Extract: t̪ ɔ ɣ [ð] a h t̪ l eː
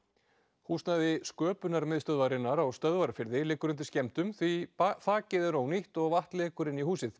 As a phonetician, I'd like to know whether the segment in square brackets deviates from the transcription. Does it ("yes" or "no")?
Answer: yes